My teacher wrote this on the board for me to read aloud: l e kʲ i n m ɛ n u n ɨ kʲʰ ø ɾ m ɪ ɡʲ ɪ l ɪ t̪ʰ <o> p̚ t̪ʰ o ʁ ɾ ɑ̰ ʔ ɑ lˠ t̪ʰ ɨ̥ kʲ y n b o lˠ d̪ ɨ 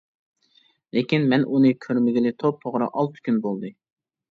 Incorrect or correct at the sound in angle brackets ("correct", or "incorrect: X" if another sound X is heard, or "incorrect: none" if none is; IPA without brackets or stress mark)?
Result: correct